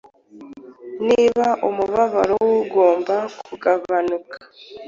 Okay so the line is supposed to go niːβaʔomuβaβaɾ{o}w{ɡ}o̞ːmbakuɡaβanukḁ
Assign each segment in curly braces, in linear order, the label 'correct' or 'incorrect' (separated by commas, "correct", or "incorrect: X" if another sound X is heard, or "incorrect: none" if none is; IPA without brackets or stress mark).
correct, correct